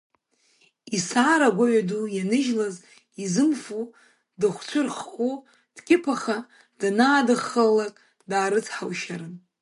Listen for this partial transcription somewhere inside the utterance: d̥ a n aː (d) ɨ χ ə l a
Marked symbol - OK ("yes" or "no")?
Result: yes